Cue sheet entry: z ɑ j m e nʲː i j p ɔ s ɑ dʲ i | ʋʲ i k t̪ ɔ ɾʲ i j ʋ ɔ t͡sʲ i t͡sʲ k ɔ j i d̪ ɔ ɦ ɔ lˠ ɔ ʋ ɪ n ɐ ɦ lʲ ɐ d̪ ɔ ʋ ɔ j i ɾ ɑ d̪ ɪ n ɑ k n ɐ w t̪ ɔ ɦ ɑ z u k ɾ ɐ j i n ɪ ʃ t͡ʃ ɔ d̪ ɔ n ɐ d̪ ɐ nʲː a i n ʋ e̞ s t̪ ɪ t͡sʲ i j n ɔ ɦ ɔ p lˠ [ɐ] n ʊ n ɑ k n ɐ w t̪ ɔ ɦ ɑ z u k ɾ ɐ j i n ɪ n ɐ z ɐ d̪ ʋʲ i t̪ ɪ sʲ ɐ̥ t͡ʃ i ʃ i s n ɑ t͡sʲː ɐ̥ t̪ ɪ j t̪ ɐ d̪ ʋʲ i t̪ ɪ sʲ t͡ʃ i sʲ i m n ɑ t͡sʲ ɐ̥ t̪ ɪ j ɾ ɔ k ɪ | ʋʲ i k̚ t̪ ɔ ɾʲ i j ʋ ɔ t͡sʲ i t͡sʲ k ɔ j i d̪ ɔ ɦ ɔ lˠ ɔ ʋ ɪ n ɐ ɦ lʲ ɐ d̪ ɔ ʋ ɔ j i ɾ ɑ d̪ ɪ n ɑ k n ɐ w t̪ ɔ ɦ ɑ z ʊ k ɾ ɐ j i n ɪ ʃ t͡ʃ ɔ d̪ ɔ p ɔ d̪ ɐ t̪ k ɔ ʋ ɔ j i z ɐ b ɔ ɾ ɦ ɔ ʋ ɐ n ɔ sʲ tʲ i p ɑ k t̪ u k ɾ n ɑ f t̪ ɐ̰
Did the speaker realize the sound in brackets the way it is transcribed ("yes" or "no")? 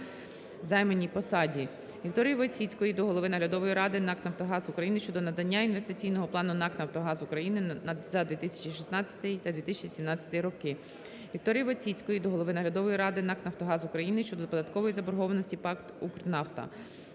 no